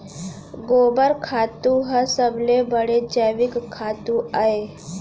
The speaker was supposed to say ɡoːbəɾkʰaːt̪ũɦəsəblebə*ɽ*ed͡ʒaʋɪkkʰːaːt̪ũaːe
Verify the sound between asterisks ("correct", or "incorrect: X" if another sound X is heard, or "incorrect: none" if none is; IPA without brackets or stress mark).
correct